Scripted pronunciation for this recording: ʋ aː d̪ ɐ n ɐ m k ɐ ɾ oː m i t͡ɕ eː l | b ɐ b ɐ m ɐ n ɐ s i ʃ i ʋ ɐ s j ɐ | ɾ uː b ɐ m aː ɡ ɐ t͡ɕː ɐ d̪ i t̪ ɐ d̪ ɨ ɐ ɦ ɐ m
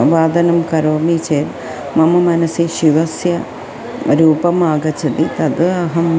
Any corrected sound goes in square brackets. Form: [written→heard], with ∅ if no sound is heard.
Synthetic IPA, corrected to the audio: ʋ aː d̪ ɐ n ɐ m k ɐ ɾ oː m i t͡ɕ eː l | [b→m] ɐ [b→m] ɐ m ɐ n ɐ s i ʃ i ʋ ɐ s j ɐ | ɾ uː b ɐ m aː ɡ ɐ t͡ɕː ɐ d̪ i t̪ ɐ d̪ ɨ ɐ ɦ ɐ m